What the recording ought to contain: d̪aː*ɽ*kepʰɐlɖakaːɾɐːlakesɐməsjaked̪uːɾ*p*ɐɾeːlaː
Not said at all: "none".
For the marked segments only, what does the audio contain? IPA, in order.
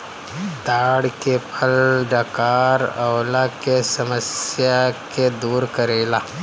ɽ, k

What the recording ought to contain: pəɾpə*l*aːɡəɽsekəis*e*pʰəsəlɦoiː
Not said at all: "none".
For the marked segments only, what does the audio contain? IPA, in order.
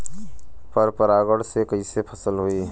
ɾ, e

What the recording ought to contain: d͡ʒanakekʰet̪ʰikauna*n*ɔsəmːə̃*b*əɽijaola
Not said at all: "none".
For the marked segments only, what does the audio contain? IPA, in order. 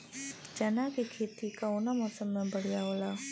m, b

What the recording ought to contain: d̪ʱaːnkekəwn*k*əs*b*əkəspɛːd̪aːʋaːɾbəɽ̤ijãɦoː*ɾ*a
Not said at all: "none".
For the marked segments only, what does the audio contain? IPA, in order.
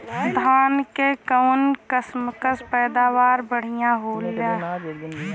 k, m, l

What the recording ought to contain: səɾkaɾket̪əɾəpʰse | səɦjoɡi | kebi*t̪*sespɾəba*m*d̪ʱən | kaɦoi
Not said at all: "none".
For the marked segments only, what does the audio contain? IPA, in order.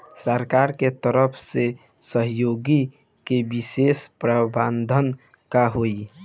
none, n

